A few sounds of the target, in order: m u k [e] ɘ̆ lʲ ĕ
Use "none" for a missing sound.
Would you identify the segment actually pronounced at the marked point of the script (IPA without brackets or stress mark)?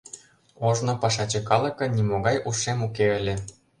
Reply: e